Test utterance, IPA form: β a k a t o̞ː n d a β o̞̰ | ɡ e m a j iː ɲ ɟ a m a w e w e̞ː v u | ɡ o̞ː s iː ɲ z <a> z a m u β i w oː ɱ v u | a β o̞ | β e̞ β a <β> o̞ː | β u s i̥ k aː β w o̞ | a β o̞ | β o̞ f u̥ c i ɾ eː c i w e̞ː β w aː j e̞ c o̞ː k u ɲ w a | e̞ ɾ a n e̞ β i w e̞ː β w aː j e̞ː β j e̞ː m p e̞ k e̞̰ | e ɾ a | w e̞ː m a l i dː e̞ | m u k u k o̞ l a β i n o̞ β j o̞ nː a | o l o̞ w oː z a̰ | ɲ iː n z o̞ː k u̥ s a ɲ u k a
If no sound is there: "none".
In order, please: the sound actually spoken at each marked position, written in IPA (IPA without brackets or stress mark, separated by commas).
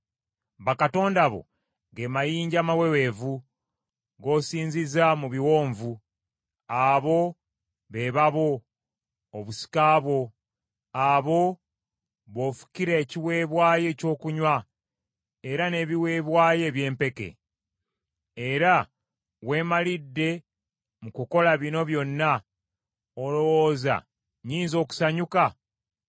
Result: i, β